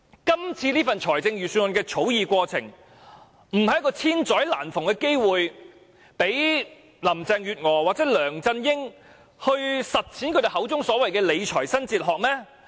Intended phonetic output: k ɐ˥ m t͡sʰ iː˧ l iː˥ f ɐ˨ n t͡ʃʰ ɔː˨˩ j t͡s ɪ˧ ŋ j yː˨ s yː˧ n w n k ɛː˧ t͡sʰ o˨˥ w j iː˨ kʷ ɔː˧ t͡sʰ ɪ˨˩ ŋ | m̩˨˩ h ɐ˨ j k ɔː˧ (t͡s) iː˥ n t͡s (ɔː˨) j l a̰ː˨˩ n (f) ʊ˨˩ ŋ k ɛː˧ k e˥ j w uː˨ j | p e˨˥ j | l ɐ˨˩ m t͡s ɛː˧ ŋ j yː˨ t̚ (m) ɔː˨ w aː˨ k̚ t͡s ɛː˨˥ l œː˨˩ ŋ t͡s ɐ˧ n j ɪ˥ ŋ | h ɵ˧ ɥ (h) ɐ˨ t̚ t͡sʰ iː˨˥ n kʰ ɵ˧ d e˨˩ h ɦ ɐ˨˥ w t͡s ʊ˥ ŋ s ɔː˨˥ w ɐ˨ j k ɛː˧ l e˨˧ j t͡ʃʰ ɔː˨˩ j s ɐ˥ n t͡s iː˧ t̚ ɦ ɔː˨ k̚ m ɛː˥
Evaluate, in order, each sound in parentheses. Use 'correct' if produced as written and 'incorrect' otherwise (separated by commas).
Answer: incorrect, incorrect, correct, incorrect, incorrect